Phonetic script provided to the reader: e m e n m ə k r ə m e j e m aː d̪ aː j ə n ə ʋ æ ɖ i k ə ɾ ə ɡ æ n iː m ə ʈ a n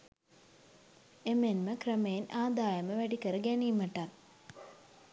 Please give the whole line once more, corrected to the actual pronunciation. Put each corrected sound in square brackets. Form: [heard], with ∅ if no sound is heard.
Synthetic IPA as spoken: e m e n m ə k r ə m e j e [n] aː d̪ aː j ə [m] ə ʋ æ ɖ i k ə ɾ ə ɡ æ n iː m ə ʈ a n